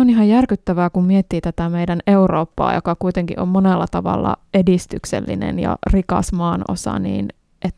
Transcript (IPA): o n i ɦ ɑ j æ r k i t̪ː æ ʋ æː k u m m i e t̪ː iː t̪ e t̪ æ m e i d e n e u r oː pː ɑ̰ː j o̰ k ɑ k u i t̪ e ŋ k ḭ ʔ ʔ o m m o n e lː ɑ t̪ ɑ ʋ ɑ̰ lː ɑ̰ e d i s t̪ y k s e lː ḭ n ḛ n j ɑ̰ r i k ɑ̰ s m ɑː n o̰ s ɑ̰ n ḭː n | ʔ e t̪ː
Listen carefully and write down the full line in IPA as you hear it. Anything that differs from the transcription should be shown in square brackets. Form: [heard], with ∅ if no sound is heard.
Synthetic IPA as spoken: o n i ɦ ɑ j æ r k [y] t̪ː æ ʋ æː k u m m i e t̪ː iː t̪ [æ] t̪ æ m e i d [æ] n e u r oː pː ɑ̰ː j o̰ k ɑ k u i t̪ e ŋ k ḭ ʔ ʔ o m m o n e lː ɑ t̪ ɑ ʋ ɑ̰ lː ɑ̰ e d i s t̪ y k s e lː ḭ n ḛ n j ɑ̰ r i k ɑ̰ s m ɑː n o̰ s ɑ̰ n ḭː n | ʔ e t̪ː